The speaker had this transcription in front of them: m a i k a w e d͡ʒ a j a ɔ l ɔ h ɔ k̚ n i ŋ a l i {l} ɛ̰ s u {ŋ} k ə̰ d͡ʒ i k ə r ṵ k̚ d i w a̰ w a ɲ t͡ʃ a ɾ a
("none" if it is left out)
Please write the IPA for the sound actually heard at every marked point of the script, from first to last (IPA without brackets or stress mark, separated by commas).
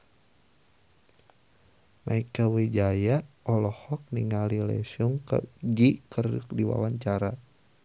l, ŋ